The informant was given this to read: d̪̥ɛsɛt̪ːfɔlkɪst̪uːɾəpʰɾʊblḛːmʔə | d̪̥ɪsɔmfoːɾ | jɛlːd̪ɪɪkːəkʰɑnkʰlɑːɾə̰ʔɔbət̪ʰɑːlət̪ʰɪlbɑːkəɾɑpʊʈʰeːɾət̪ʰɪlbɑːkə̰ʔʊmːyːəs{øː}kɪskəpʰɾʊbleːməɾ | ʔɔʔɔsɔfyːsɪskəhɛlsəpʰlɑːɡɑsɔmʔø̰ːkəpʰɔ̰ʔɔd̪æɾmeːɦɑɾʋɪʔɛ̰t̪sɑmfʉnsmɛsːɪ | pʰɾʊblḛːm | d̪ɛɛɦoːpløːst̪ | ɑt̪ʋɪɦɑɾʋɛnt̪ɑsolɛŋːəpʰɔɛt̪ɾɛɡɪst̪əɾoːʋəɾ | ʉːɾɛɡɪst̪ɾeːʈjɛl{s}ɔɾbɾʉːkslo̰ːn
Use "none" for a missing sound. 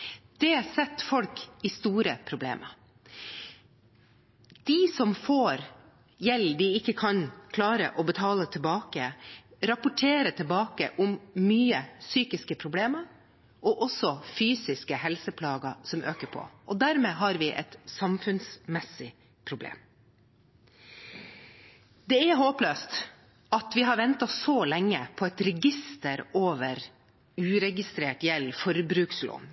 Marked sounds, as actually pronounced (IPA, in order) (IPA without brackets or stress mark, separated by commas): yː, f